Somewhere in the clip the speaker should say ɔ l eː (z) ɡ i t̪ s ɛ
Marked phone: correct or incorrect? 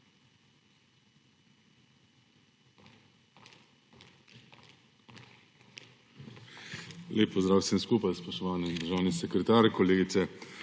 incorrect